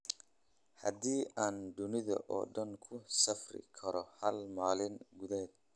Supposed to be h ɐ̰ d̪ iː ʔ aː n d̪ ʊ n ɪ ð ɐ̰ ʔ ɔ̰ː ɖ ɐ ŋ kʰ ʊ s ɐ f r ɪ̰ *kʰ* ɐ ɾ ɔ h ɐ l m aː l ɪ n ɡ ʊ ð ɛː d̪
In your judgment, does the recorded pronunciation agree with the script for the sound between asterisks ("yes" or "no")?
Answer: yes